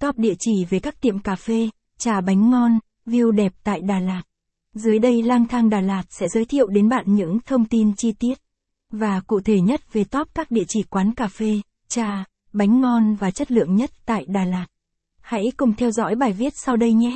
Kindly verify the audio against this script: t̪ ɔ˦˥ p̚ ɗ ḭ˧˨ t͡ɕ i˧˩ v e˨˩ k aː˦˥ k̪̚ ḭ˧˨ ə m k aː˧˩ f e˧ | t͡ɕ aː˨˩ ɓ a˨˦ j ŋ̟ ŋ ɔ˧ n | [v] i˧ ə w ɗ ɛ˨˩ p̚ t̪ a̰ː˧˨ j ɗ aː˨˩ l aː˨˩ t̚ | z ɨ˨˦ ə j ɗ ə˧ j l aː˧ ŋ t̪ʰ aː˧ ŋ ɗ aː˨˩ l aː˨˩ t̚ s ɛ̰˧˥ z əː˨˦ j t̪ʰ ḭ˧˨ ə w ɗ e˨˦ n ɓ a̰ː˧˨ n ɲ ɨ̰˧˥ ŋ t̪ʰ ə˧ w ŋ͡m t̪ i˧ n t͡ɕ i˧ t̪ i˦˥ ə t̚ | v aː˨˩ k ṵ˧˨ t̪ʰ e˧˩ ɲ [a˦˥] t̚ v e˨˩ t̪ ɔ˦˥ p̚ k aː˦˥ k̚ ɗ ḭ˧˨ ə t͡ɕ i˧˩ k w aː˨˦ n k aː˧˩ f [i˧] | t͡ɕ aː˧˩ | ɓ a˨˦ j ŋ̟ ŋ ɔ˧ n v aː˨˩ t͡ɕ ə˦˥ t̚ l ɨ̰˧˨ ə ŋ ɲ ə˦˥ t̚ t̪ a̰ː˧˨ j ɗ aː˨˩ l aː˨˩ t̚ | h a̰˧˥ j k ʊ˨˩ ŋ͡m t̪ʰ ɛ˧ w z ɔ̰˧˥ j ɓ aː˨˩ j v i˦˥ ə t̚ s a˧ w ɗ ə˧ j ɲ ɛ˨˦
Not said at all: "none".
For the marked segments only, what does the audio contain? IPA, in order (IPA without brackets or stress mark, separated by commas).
v, ə˦˥, e˧